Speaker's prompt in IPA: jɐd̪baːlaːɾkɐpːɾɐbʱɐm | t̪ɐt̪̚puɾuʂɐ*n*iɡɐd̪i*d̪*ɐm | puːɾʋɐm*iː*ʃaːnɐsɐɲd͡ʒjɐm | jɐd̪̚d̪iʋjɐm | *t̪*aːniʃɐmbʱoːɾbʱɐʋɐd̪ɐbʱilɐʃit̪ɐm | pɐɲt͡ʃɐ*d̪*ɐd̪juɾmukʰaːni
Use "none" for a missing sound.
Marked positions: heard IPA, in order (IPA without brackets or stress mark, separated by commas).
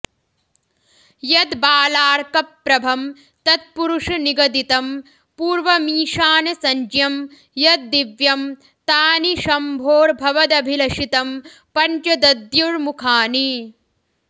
n, t̪, iː, t̪, d̪